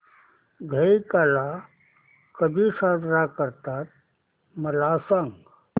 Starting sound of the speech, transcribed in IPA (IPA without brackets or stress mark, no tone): ɡʱ